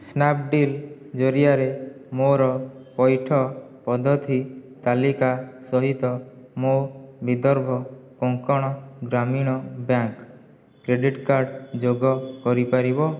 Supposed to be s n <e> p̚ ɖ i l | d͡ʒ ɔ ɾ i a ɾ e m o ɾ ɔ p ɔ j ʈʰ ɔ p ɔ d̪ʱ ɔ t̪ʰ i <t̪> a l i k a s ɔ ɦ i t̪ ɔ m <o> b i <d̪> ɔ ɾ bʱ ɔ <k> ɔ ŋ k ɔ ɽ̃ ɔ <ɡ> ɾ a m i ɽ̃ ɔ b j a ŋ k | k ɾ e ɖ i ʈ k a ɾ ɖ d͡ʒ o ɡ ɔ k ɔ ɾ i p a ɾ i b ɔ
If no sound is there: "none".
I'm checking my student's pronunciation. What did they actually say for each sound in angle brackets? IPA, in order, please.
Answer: a, t̪, o, d̪, k, ɡ

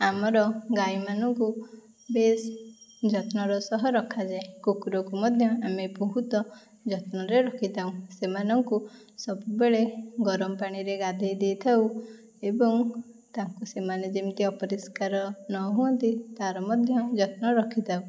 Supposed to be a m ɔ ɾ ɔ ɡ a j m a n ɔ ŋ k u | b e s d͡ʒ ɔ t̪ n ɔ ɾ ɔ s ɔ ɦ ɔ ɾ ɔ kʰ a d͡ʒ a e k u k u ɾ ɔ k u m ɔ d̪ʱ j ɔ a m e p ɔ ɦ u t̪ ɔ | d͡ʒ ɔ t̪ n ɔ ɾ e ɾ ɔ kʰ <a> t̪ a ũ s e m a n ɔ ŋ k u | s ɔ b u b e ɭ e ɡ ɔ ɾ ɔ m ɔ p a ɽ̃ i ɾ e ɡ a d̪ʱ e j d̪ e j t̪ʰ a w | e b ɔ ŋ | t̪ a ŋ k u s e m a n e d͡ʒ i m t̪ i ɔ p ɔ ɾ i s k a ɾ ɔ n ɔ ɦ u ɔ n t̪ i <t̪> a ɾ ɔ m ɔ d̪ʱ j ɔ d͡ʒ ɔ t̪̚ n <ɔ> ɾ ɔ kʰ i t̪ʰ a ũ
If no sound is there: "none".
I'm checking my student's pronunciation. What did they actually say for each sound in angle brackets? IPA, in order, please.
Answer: i, t̪, ɔ

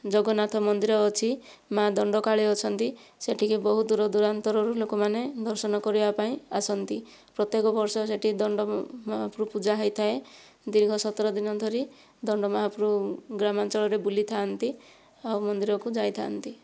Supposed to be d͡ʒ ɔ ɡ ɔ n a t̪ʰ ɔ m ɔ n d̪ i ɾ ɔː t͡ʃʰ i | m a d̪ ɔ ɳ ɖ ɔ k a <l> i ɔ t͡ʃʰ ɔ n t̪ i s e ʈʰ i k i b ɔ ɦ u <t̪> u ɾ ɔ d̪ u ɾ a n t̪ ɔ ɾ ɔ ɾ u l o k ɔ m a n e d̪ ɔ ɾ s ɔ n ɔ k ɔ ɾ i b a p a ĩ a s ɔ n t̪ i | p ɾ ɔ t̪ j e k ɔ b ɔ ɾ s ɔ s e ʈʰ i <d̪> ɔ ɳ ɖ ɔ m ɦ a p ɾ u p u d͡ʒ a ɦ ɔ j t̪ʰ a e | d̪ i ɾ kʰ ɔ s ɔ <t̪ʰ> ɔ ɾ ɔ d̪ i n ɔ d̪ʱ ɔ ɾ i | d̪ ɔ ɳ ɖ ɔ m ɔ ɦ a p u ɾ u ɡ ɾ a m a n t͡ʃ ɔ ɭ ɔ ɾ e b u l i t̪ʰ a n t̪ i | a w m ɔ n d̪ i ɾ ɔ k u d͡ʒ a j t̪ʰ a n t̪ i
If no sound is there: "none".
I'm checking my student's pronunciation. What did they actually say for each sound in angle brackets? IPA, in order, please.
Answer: ɭ, d̪, d̪, t̪

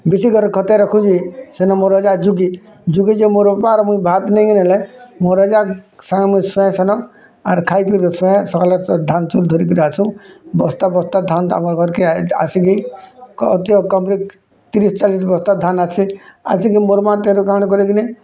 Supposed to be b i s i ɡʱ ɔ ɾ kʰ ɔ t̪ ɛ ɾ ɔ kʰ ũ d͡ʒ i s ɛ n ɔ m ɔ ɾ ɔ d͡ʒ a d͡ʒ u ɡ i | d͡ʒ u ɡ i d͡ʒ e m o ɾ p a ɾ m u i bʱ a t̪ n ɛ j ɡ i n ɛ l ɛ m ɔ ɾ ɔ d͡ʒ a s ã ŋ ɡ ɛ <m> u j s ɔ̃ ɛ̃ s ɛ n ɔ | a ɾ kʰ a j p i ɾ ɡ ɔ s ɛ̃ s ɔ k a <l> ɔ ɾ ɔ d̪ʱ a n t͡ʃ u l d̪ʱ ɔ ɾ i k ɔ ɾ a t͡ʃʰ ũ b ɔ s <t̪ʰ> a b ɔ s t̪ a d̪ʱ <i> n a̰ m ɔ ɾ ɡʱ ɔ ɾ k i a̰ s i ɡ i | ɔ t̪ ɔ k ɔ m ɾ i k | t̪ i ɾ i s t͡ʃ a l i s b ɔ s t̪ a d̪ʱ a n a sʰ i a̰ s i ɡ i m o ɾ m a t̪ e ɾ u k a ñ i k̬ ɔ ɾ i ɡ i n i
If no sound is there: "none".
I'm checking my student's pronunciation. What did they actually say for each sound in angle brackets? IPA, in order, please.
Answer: m, l, t̪, a

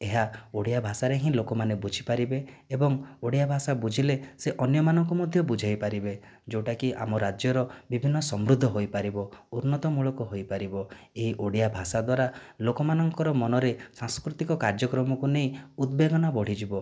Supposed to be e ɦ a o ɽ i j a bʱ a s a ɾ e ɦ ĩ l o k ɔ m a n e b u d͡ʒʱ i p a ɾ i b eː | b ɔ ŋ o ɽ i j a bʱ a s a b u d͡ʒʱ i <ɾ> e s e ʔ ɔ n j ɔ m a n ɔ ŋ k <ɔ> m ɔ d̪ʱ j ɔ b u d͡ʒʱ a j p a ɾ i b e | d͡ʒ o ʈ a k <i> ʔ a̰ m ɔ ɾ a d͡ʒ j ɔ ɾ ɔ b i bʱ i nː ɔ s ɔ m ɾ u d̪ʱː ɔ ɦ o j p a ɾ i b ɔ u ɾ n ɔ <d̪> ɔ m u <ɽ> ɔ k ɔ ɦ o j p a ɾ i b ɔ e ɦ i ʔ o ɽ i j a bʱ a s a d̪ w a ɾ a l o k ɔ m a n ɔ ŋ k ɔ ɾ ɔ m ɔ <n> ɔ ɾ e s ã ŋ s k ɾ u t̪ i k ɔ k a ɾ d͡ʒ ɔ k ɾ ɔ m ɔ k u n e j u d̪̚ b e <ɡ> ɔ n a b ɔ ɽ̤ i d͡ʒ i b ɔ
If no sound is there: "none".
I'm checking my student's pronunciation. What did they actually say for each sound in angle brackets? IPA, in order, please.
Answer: l, u, i, t̪, ɭ, n, ɡ

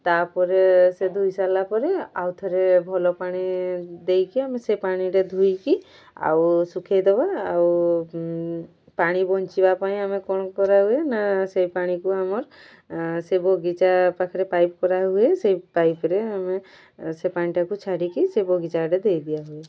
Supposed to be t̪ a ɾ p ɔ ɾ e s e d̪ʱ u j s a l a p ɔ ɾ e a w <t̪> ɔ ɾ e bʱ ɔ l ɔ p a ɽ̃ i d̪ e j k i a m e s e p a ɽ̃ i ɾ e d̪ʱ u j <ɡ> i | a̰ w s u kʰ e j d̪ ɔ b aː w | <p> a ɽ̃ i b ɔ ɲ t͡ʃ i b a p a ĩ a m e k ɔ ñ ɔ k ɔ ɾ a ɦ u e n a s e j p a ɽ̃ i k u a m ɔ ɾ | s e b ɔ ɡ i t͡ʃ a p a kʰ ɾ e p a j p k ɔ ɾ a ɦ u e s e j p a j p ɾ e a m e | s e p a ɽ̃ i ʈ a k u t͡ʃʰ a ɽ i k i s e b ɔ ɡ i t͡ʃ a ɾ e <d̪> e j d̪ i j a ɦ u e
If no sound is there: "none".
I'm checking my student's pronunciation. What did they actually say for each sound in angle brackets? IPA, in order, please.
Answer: t̪ʰ, k, p, d̪

